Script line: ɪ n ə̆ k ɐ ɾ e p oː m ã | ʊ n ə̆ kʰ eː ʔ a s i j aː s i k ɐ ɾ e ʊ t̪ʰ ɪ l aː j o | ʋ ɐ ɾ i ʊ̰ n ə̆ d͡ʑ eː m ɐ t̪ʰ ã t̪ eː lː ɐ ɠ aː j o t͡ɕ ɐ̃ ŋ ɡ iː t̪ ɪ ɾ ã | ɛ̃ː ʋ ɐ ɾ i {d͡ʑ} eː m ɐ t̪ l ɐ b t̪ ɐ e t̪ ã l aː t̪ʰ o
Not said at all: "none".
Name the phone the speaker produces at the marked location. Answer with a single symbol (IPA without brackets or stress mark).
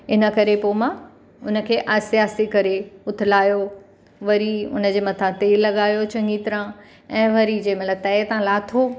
d͡ʑ